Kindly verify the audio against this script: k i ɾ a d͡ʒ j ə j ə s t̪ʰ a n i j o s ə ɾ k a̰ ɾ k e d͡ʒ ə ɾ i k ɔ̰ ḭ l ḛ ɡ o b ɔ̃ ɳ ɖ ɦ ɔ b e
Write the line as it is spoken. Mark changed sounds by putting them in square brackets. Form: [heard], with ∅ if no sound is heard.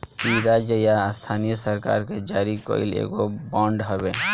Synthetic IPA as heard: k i ɾ a d͡ʒ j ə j [a] s t̪ʰ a n i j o s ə ɾ k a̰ ɾ k e d͡ʒ [a] ɾ i k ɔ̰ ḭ l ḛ ɡ o b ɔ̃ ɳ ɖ ɦ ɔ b e